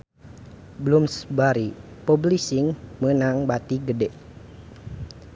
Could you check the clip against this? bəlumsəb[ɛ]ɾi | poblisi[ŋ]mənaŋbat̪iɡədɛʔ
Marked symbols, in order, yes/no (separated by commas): no, yes